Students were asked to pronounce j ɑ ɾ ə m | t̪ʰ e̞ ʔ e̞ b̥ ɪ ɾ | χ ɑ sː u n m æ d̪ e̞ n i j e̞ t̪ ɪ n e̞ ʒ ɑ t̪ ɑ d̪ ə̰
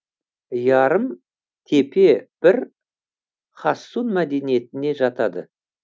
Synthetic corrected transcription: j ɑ ɾ ə m | t̪ʰ e̞ p e̞ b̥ ɪ ɾ | χ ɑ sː u n m æ d̪ e̞ n i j e̞ t̪ ɪ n e̞ ʒ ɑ t̪ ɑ d̪ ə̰